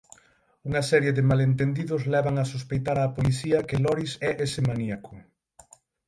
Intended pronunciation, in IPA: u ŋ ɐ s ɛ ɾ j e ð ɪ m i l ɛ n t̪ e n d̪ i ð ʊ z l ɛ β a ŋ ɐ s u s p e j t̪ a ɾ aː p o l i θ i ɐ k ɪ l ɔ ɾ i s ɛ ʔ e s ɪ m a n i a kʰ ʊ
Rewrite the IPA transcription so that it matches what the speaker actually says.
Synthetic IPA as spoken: u ŋ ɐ s ɛ ɾ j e ð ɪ m a l e n t̪ e n d̪ i ð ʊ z l ɛ β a ŋ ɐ s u s p e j t̪ a ɾ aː p o l i θ i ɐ k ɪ l ɔ ɾ i s ɛ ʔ e s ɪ m a n i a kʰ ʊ